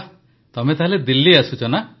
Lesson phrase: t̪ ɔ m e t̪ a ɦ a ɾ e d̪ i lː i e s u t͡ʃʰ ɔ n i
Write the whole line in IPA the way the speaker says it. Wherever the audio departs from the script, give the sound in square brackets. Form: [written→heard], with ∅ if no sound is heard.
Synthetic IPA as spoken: t̪ ɔ m e t̪ a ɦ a [ɾ→l] e d̪ i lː i [e→a] s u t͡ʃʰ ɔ n [i→a]

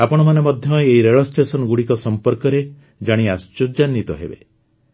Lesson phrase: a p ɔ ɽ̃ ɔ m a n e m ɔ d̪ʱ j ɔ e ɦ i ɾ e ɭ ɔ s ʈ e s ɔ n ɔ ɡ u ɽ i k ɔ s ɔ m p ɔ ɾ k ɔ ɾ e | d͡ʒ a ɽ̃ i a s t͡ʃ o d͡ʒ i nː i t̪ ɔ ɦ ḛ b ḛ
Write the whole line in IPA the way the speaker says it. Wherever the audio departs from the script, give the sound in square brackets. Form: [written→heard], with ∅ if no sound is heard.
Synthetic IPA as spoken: a p ɔ ɽ̃ ɔ m a n e m ɔ d̪ʱ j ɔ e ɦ i ɾ e ɭ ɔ s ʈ e s ɔ n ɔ ɡ u ɽ i k ɔ s ɔ m p ɔ ɾ k ɔ ɾ e | d͡ʒ a ɽ̃ i a s t͡ʃ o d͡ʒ [i→a] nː i t̪ ɔ ɦ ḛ b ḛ

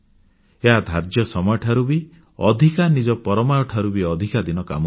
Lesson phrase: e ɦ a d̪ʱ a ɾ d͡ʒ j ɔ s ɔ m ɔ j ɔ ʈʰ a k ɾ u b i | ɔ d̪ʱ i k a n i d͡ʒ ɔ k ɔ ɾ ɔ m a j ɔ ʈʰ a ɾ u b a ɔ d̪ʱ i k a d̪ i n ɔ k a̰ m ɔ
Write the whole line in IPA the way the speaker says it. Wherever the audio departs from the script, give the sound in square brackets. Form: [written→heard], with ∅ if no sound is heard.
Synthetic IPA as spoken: e ɦ a d̪ʱ a ɾ d͡ʒ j ɔ s ɔ m ɔ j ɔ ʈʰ a [k→∅] ɾ u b i | ɔ d̪ʱ i k a n i d͡ʒ ɔ [k→p] ɔ ɾ ɔ m a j ɔ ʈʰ a ɾ u b [a→i] ɔ d̪ʱ i k a d̪ i n ɔ k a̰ m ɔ

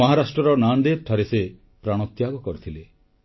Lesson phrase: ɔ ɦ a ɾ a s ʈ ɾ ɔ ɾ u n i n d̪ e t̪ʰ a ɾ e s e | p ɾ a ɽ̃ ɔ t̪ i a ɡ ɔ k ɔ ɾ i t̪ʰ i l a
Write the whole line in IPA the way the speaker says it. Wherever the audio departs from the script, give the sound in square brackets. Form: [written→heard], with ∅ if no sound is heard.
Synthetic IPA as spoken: ɔ ɦ a ɾ a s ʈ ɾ ɔ ɾ [u→ɔ] n [i→a] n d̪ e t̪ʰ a ɾ e s e | p ɾ a ɽ̃ ɔ t̪ [i→j] a ɡ ɔ k ɔ ɾ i t̪ʰ i l [a→e]

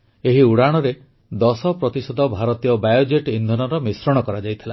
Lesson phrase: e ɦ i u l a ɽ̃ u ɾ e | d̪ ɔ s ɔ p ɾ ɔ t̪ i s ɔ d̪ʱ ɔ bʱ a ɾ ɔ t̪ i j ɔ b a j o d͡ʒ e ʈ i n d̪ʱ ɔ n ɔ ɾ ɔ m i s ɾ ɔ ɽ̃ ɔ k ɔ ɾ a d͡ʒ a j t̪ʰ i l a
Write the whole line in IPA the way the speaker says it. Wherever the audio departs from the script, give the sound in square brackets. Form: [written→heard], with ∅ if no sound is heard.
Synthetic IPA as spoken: e ɦ i u [l→ɽ] a ɽ̃ [u→ɔ] ɾ e | d̪ ɔ s ɔ p ɾ ɔ t̪ i s ɔ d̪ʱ ɔ bʱ a ɾ ɔ t̪ i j ɔ b a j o d͡ʒ e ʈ i n d̪ʱ ɔ n ɔ ɾ ɔ m i s ɾ ɔ ɽ̃ ɔ k ɔ ɾ a d͡ʒ a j t̪ʰ i l a

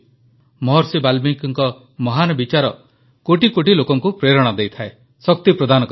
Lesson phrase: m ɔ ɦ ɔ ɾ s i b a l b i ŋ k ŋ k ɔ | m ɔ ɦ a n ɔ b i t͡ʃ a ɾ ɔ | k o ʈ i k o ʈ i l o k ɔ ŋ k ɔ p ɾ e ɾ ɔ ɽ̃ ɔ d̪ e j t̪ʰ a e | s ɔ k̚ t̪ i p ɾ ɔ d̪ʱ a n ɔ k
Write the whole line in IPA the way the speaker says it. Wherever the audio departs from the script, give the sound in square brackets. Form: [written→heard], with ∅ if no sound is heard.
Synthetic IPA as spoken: m ɔ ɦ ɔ ɾ s i b a l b i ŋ k ŋ k ɔ | m ɔ ɦ a n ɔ b i t͡ʃ a ɾ ɔ | k o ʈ i k o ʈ i l o k ɔ ŋ k [ɔ→u] p ɾ e ɾ ɔ ɽ̃ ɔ d̪ e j t̪ʰ a e | s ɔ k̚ t̪ i p ɾ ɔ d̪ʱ a n ɔ k

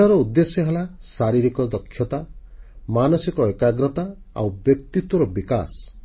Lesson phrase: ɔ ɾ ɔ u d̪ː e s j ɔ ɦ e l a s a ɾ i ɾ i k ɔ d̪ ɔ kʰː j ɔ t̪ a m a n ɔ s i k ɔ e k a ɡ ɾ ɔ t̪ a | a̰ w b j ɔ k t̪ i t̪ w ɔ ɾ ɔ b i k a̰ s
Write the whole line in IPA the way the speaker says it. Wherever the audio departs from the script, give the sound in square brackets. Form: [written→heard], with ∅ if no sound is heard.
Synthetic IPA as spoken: ɔ ɾ ɔ u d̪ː e s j ɔ ɦ e l a s a ɾ i ɾ i k ɔ d̪ ɔ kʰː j ɔ t̪ a m a n ɔ s i k ɔ e k a ɡ ɾ ɔ t̪ a | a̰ w b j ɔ k t̪ i t̪ w ɔ ɾ ɔ b i k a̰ s

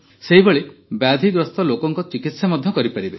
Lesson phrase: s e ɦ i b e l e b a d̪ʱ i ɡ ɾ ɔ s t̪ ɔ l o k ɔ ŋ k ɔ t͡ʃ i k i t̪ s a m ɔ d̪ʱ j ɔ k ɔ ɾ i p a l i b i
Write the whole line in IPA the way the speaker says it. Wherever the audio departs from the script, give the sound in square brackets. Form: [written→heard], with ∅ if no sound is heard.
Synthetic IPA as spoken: s e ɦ i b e [l→ɭ] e b a d̪ʱ i ɡ ɾ ɔ s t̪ ɔ l o k ɔ ŋ k ɔ t͡ʃ i k i t̪ s a m ɔ d̪ʱ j ɔ k ɔ ɾ i p a [l→ɾ] i b [i→e]

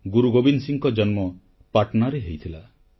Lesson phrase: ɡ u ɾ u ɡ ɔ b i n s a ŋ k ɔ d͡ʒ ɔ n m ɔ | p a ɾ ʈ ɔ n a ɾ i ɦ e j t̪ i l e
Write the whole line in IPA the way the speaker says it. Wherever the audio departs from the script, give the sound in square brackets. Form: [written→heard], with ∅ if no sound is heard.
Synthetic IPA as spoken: ɡ u ɾ u ɡ [ɔ→o] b i n s [a→i] ŋ k ɔ d͡ʒ ɔ n m ɔ | p a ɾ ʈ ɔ n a ɾ [i→e] ɦ e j [t̪→t̪ʰ] i l [e→a]

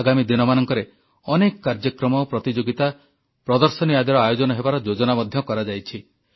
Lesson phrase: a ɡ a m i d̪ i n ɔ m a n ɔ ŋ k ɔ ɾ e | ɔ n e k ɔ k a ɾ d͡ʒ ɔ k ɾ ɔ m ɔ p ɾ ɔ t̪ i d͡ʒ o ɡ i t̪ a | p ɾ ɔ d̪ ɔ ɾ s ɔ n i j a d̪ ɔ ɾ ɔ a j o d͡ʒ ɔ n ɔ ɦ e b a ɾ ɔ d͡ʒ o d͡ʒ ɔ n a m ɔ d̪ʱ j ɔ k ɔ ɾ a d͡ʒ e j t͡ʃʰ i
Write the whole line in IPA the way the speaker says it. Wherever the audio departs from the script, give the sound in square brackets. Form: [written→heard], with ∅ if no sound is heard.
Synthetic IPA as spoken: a ɡ a m i d̪ i n ɔ m a n ɔ ŋ k ɔ ɾ e | ɔ n e k ɔ k a ɾ d͡ʒ ɔ k ɾ ɔ m ɔ p ɾ ɔ t̪ i d͡ʒ o ɡ i t̪ a | p ɾ ɔ d̪ ɔ ɾ s ɔ n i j a d̪ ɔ ɾ ɔ a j o d͡ʒ ɔ n ɔ ɦ e b a ɾ ɔ d͡ʒ o d͡ʒ ɔ n a m ɔ d̪ʱ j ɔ k ɔ ɾ a d͡ʒ [e→a] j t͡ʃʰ i

